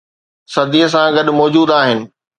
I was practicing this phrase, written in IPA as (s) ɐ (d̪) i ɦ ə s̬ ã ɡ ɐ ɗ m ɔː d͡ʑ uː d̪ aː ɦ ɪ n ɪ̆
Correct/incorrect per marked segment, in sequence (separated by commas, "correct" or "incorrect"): correct, correct